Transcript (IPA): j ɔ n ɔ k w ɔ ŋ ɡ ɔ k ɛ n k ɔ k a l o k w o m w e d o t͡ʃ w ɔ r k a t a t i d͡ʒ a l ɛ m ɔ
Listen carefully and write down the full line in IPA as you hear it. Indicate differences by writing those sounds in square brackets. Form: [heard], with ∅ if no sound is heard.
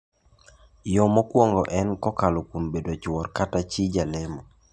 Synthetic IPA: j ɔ [m] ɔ k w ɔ ŋ ɡ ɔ [ʔ] ɛ n k ɔ k a l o k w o m [b] e d o t͡ʃ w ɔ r k a t a [t͡ʃ] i d͡ʒ a l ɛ m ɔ